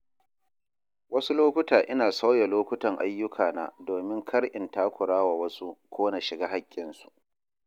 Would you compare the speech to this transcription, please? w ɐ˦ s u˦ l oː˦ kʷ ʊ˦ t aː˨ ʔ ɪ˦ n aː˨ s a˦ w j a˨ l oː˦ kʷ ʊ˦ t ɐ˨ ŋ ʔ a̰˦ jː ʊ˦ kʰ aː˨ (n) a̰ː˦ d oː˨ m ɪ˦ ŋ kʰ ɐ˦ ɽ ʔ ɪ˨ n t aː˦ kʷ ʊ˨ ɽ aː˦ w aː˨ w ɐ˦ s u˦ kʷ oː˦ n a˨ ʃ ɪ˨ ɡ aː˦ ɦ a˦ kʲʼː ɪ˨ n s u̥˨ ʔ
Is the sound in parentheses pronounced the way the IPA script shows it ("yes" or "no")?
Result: yes